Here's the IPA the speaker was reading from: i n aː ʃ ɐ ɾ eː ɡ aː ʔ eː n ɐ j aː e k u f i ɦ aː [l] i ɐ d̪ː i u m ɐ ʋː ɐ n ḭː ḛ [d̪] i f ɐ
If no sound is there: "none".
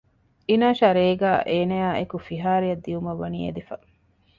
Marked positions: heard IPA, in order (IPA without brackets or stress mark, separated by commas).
ɾ, d̪